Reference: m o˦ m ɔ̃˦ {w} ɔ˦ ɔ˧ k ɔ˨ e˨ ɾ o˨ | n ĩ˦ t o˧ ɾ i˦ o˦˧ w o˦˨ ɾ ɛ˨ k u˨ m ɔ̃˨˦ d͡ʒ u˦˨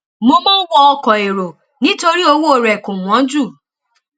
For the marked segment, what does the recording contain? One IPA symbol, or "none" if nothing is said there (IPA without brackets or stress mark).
w